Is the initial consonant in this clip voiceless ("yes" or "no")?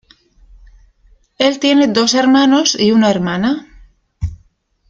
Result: no